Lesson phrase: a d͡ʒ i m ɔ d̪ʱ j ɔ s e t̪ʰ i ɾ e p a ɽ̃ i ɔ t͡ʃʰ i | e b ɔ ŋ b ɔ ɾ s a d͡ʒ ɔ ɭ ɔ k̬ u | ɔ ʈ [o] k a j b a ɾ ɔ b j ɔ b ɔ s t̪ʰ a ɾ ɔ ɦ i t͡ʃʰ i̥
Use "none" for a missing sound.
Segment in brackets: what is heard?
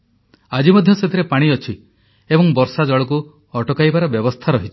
ɔ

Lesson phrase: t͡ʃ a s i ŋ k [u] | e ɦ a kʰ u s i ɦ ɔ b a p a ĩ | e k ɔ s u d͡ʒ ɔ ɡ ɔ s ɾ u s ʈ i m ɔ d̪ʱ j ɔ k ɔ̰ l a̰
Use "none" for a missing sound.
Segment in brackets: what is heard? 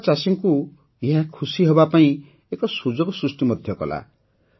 u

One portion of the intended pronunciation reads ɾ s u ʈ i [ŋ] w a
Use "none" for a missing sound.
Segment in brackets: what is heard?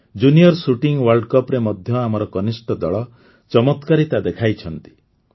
ŋ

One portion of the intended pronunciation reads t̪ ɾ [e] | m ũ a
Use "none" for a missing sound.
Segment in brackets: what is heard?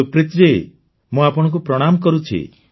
e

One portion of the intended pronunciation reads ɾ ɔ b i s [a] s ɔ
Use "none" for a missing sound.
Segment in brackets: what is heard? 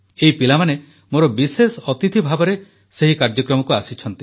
e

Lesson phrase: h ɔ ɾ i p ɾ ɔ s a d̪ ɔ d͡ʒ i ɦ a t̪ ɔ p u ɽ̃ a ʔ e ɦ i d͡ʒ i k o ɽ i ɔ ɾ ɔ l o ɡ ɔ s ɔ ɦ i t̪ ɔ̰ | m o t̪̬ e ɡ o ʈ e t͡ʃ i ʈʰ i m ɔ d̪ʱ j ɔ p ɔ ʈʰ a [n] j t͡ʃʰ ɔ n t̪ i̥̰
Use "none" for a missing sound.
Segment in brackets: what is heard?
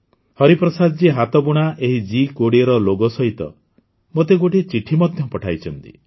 none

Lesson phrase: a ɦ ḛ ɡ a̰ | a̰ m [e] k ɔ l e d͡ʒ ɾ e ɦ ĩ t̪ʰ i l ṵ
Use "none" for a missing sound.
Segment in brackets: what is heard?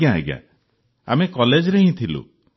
e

